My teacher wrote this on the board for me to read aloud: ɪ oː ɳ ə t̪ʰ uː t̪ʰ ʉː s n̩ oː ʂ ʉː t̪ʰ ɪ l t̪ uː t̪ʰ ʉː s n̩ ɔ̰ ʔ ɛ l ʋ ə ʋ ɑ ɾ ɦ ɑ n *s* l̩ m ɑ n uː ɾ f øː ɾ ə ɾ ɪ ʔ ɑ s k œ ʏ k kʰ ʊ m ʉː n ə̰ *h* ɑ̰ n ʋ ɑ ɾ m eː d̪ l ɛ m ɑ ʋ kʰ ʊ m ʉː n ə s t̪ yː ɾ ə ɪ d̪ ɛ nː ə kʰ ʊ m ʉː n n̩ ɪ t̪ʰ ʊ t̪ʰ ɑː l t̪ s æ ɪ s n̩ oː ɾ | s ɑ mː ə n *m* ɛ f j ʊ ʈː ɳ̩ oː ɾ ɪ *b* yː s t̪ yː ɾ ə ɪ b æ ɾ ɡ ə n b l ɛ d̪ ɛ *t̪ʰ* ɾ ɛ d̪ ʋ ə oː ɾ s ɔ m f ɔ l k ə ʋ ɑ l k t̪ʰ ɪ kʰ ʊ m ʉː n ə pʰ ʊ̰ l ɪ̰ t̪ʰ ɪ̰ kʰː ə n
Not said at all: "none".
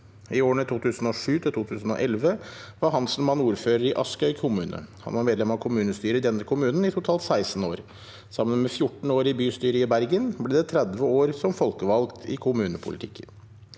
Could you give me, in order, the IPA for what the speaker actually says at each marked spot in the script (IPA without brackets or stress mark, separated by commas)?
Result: s, h, m, b, t̪ʰ